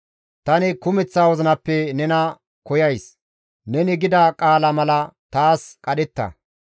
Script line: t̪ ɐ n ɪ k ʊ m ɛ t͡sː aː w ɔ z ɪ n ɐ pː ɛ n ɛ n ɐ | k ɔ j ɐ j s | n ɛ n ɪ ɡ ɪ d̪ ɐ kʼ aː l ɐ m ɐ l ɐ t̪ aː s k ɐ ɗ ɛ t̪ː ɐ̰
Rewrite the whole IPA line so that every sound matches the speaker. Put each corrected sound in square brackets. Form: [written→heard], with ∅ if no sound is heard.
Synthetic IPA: t̪ ɐ n ɪ k ʊ m ɛ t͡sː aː w ɔ z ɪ n ɐ pː ɛ n ɛ n ɐ | k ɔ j ɐ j s | n ɛ n ɪ ɡ ɪ d̪ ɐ kʼ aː l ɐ m ɐ l ɐ t̪ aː s [k→kʼ] ɐ ɗ ɛ t̪ː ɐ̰